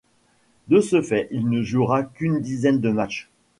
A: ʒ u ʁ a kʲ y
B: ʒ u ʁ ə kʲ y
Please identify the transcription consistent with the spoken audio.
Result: A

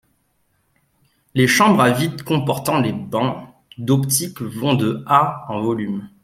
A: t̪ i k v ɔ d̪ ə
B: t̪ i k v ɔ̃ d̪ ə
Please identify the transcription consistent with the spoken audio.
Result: B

